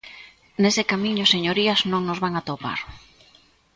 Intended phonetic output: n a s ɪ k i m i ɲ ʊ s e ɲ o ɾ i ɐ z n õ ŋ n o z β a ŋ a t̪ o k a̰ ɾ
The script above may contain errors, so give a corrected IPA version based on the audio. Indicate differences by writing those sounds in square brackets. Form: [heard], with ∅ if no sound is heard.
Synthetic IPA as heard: n [e] s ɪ k [a] m i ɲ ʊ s e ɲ o ɾ i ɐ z n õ ŋ n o z β a ŋ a t̪ o [p] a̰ ɾ